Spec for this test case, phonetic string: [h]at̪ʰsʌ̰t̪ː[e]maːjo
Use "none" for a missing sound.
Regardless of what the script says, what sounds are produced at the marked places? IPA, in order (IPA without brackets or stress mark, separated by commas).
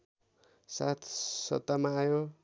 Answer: s, a